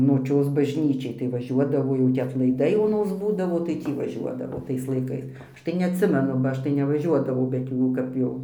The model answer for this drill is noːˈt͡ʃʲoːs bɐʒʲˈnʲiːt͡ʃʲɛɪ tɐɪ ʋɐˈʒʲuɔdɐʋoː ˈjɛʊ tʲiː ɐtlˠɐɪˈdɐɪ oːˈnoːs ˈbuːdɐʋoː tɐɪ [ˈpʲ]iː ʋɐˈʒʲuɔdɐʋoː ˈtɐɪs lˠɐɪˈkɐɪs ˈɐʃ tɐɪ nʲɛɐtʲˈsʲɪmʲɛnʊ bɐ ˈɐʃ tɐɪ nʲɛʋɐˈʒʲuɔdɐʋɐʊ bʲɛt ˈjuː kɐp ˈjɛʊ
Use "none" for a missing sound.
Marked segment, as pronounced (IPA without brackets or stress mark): tʲ